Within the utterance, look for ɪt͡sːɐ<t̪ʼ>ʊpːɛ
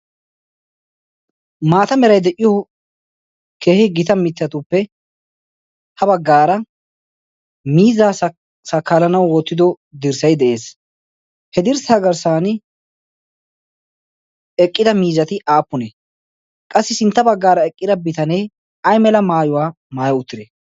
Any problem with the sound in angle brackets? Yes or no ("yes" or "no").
yes